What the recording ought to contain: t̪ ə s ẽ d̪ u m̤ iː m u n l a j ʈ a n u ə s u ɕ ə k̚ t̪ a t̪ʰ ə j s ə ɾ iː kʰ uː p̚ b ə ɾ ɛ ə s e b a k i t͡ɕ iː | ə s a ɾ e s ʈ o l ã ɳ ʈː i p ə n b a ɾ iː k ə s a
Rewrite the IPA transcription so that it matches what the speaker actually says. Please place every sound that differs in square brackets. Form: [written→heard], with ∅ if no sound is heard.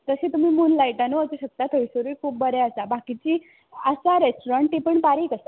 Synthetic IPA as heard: t̪ ə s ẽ [d̪→t̪] u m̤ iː m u n l a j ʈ a n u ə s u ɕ ə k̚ t̪ a t̪ʰ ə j s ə ɾ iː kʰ uː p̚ b ə ɾ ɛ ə s [e→a] b a k i t͡ɕ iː | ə s a ɾ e s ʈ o [l→ɾ] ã ɳ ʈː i p ə [n→ɳ] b a ɾ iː k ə s a

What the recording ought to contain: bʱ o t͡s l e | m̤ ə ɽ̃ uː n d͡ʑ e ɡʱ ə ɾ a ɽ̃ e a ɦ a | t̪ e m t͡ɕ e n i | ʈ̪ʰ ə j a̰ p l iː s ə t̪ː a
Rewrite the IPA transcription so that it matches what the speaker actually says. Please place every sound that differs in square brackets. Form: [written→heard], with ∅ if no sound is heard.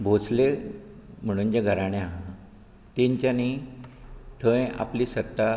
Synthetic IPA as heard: bʱ o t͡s l e | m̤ ə ɽ̃ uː n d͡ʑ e ɡʱ ə ɾ a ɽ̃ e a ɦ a | t̪ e [m→ɲ] t͡ɕ [e→a] n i | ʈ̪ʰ ə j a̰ p l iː s ə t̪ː a

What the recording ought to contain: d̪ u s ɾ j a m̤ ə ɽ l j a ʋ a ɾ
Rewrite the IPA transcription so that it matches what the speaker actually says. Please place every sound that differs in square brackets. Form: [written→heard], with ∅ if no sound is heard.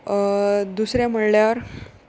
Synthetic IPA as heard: d̪ u s ɾ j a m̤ ə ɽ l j a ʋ [a→ə] ɾ

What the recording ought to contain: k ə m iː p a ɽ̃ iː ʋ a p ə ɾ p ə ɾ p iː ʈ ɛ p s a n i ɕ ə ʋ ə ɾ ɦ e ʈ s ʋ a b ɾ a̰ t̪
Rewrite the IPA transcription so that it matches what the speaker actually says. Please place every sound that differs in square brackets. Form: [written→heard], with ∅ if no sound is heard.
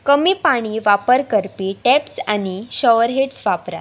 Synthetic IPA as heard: k ə m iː p a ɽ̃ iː ʋ a p ə ɾ [p→k] ə ɾ p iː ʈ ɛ p s a n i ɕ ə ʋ ə ɾ ɦ e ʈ s ʋ a [b→p] ɾ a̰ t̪

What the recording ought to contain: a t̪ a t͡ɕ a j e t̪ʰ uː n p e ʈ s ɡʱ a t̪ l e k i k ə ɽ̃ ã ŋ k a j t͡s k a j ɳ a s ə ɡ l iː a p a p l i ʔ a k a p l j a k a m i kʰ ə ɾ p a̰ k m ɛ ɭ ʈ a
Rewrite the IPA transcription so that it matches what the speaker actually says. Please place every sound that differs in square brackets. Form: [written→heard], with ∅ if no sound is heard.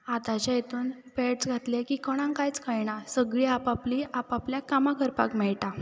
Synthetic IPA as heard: a t̪ a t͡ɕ a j e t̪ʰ uː n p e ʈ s ɡʱ a t̪ l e k i k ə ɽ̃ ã ŋ k a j t͡s k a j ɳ a s ə ɡ [l→ɭ] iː a p a p l i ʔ a [k→p] a p l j a k a m [i→a] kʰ ə ɾ p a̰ k m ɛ ɭ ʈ a

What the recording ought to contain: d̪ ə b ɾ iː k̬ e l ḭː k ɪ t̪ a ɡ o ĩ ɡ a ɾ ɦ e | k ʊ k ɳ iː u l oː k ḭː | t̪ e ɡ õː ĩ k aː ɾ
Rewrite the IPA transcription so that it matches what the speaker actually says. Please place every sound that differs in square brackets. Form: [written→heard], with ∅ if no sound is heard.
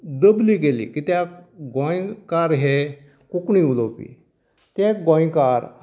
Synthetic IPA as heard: d̪ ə b [ɾ→l] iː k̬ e l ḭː k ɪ t̪ a ɡ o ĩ [ɡ→k] a ɾ ɦ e | k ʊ k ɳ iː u l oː [k→p] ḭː | t̪ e ɡ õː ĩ k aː ɾ

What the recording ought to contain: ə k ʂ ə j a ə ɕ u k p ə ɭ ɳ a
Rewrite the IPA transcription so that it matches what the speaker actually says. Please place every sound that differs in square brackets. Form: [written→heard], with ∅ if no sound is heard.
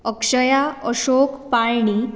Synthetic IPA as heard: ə k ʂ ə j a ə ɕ [u→o] k p [ə→a] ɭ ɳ [a→i]

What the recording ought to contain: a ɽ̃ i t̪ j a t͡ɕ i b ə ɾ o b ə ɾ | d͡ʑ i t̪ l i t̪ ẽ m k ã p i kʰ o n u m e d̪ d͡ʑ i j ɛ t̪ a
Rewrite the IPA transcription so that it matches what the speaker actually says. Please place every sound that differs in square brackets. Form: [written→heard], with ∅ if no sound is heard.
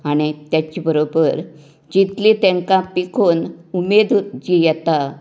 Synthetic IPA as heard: a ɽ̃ i t̪ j a t͡ɕ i b ə ɾ o b ə ɾ | d͡ʑ i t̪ l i t̪ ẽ [m→ŋ] k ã p i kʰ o n u m e d̪ d͡ʑ i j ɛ t̪ a

